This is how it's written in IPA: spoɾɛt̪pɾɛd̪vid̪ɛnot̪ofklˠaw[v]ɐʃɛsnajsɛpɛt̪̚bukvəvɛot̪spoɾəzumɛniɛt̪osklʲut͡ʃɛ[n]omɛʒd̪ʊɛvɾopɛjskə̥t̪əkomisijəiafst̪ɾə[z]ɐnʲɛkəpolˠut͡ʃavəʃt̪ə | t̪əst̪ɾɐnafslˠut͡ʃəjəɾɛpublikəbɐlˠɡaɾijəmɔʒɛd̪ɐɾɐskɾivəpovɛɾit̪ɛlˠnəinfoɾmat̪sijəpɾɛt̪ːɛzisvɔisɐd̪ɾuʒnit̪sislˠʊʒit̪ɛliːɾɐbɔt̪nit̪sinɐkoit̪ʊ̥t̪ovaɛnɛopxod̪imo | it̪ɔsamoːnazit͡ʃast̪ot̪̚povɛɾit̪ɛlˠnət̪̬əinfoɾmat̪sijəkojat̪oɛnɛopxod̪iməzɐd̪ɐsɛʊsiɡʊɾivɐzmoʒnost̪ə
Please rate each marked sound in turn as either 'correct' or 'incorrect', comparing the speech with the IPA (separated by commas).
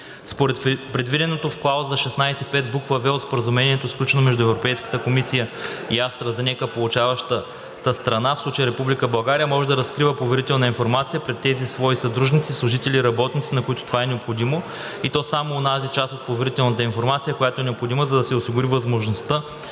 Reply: incorrect, correct, correct